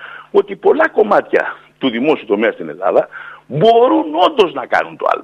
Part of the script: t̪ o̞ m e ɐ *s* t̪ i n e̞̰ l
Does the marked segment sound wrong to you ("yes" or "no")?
no